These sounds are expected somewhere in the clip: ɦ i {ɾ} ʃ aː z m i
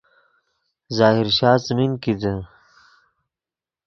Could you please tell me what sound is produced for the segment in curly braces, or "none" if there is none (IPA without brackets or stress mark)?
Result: ɾ